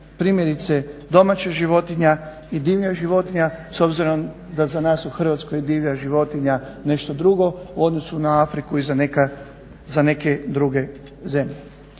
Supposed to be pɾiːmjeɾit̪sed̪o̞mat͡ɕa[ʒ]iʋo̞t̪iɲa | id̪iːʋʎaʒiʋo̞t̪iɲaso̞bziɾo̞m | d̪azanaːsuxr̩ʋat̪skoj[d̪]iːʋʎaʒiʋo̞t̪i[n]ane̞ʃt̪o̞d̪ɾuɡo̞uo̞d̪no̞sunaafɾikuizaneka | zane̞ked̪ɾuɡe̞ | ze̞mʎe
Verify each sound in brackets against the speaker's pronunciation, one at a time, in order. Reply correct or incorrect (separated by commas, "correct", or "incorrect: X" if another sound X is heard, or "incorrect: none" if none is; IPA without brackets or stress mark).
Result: correct, correct, incorrect: ɲ